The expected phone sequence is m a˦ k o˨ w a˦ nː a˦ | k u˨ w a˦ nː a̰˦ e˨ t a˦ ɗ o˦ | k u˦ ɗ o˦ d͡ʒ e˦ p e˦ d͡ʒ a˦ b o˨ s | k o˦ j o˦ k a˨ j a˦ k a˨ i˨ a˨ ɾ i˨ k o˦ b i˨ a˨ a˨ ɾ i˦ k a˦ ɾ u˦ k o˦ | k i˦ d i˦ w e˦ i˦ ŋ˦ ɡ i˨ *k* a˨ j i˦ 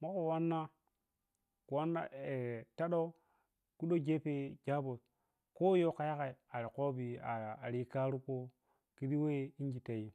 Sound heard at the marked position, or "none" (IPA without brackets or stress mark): t